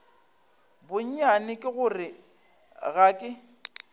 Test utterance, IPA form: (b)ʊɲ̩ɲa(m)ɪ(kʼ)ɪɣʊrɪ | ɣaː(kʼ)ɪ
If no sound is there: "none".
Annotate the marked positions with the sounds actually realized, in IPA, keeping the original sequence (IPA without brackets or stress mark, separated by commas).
b, n, kʼ, kʼ